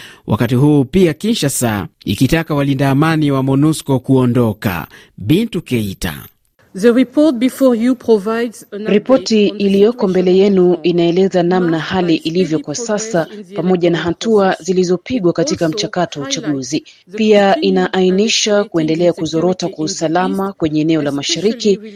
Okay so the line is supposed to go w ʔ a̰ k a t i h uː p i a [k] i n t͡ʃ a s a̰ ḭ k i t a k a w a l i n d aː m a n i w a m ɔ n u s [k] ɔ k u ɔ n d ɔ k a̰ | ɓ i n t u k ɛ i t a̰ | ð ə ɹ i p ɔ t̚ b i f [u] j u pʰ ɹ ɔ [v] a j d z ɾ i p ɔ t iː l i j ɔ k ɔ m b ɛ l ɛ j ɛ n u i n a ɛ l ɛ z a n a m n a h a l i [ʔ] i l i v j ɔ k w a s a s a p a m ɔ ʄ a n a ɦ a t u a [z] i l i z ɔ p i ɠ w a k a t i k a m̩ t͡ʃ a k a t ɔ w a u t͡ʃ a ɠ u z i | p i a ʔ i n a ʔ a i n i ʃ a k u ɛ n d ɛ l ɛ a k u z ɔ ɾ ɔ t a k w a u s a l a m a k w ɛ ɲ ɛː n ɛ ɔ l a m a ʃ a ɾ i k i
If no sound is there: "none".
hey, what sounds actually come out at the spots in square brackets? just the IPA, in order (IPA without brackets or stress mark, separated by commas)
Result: k, k, ɔ, v, ʔ, z